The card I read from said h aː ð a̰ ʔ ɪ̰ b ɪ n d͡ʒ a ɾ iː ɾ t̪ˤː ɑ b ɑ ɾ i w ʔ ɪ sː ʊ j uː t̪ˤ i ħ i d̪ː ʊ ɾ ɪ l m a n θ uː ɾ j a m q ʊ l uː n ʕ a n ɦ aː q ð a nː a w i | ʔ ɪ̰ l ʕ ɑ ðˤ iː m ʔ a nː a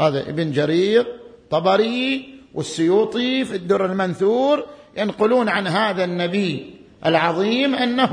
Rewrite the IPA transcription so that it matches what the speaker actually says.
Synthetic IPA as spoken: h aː ð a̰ ʔ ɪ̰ b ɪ n d͡ʒ a ɾ iː ɾ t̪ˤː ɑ b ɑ ɾ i w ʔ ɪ sː ʊ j uː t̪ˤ i f i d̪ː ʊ ɾ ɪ l m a n θ uː ɾ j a n q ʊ l uː n ʕ a n ɦ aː ð a nː a b i | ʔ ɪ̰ l ʕ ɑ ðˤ iː m ʔ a nː a